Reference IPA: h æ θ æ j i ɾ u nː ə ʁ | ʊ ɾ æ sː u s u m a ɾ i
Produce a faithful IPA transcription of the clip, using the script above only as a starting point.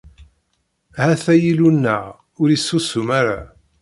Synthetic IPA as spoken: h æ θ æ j i l u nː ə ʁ | ʊ ɾ i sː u s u m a ɾ a